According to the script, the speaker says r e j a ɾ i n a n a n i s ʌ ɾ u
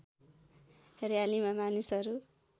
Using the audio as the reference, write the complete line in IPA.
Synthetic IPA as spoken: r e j a l i m a m a n i s ʌ ɾ u